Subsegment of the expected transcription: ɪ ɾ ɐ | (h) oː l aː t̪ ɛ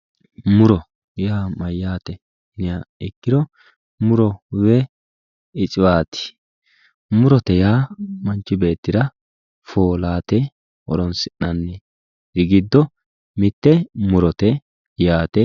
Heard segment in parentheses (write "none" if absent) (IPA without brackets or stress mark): f